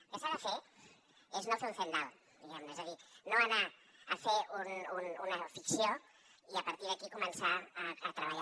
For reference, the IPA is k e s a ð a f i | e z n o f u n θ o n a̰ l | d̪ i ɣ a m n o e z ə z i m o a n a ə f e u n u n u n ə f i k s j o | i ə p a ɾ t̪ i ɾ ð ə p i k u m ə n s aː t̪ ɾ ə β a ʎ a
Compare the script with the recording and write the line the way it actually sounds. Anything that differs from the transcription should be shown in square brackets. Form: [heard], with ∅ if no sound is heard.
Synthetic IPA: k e s a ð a f [e] | e z n o f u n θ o n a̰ l | d̪ i ɣ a m n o e z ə [ð] i [n] o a n a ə f e u n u n u n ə f i k s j o | i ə p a ɾ t̪ i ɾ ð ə [k] i k u m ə n s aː t̪ ɾ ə β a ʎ a